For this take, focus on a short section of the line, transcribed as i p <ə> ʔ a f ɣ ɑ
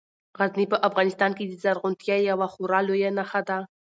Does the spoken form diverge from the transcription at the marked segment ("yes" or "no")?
no